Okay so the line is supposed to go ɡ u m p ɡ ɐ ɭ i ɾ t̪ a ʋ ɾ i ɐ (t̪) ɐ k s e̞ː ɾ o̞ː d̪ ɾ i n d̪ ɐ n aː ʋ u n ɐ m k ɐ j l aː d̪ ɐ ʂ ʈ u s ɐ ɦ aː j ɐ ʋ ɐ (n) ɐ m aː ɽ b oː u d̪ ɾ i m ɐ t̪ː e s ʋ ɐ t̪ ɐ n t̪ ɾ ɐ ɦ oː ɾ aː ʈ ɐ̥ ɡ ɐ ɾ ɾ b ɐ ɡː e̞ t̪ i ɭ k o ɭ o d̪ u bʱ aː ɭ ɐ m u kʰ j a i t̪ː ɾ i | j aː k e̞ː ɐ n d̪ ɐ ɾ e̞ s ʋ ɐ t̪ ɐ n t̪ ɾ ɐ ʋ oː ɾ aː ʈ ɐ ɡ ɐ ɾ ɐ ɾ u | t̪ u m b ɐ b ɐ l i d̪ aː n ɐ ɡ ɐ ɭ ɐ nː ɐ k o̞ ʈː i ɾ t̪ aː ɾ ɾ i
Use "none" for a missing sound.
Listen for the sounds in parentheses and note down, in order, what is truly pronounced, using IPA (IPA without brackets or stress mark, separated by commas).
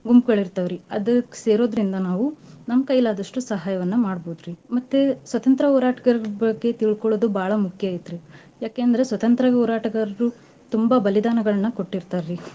d̪, nː